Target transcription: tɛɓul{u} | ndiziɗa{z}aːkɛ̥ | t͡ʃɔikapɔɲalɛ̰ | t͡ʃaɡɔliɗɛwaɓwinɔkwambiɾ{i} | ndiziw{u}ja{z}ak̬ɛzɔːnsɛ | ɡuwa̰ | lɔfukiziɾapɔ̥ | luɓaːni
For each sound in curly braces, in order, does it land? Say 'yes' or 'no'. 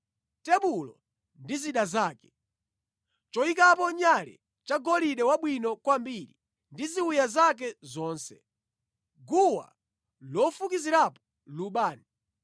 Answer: no, yes, yes, yes, yes

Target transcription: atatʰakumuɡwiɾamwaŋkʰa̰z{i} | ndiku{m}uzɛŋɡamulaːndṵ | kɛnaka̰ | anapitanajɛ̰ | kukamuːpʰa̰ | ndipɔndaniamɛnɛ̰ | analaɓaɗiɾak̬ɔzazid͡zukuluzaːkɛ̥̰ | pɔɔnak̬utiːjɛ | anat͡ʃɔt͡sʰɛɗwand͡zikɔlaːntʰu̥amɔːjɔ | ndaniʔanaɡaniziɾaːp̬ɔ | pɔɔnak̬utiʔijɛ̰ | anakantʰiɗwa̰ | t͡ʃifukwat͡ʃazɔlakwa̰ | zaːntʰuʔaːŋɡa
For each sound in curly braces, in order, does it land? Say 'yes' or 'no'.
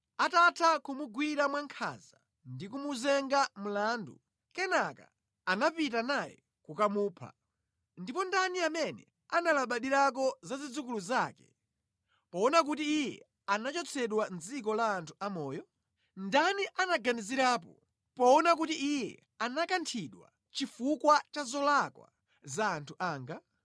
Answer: no, yes

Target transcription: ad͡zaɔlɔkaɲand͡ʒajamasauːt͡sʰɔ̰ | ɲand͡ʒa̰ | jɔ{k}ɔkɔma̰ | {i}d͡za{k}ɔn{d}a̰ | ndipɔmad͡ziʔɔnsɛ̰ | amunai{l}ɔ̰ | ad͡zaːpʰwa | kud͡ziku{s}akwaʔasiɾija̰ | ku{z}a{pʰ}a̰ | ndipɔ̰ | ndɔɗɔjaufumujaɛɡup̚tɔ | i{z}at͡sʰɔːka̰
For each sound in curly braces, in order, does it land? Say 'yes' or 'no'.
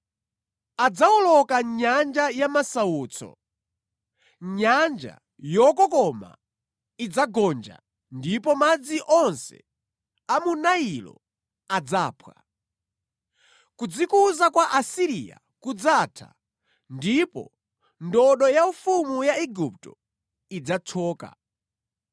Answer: yes, yes, no, no, yes, no, no, no, no

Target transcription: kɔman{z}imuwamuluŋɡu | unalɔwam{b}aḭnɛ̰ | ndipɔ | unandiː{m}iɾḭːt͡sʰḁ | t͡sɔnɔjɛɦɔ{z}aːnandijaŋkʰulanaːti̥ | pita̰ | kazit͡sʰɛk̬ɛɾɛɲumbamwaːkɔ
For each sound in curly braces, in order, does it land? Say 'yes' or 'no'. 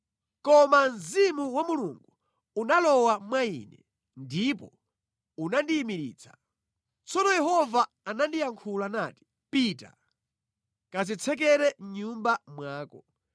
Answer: yes, no, yes, no

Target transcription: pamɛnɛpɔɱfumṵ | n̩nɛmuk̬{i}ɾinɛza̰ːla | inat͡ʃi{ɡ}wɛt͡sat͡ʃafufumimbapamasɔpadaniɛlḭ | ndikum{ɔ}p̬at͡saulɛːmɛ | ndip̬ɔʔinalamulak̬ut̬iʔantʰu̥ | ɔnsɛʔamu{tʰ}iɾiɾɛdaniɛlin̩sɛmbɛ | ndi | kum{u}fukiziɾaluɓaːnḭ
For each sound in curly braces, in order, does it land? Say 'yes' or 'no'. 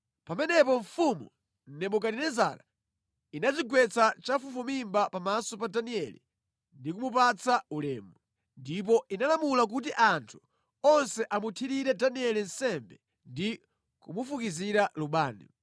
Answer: no, yes, no, yes, yes

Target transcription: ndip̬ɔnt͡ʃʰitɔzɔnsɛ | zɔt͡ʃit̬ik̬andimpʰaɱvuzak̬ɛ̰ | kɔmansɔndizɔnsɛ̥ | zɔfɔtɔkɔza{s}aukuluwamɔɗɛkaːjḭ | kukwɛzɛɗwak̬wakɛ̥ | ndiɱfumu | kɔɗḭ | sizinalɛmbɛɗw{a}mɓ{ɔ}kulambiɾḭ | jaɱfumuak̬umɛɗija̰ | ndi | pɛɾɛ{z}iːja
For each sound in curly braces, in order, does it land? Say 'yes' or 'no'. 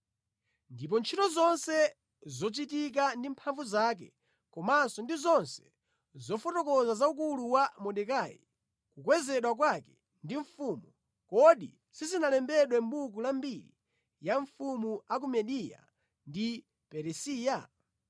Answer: no, no, no, no

